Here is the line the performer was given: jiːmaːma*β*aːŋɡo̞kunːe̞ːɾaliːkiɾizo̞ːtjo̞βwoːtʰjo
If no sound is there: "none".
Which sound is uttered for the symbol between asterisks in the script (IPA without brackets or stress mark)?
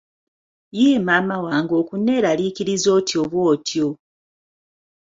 w